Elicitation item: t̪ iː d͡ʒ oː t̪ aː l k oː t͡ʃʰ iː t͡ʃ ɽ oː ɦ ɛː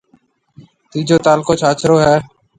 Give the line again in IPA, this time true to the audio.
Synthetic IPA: t̪ iː d͡ʒ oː t̪ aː l k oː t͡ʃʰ aː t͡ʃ ɾ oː ɦ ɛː